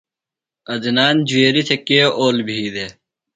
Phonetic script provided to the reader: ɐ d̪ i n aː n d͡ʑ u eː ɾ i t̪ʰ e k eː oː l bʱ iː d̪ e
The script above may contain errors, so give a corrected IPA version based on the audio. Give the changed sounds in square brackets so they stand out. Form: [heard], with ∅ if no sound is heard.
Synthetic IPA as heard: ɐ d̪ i n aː n d͡ʑ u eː ɾ i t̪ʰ e k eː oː l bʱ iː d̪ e